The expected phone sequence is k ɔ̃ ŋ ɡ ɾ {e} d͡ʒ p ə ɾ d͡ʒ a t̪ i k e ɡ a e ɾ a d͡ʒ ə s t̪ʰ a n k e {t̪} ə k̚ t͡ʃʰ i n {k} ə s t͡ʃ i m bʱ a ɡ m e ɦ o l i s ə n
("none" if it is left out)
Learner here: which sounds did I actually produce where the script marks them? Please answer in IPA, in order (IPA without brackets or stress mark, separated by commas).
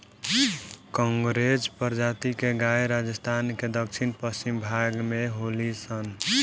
e, d̪, p